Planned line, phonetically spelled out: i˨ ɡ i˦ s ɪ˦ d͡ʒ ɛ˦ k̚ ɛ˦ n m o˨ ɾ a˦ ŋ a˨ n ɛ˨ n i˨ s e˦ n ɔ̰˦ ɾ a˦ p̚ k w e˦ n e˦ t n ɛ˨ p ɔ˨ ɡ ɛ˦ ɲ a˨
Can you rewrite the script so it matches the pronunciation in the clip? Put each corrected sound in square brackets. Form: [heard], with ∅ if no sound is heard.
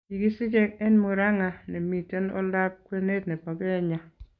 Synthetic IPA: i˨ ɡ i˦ s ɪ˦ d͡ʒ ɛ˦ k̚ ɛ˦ n m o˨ ɾ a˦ ŋ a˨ n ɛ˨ [m] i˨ [t] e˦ n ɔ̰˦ [l] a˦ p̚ k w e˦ n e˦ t n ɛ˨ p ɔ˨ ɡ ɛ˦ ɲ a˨